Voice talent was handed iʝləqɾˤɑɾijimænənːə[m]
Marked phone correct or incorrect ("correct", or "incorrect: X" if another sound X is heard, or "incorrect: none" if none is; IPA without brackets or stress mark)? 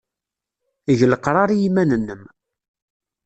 correct